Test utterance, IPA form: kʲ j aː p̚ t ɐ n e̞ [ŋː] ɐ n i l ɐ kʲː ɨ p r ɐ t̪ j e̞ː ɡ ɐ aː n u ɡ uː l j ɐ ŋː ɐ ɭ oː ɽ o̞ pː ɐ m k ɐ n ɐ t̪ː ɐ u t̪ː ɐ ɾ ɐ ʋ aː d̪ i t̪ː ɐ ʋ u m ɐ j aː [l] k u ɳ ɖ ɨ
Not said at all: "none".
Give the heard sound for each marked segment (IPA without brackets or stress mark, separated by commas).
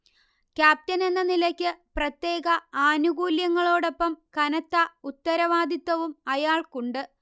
nː, ɭ